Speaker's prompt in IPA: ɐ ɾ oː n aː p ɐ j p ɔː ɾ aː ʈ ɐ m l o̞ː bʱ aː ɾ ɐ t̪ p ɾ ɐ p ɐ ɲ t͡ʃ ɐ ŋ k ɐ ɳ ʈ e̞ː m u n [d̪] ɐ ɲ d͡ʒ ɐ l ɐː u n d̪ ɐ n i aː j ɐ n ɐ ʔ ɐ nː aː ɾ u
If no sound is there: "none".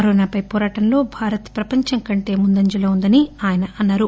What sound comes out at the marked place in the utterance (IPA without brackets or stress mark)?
d̪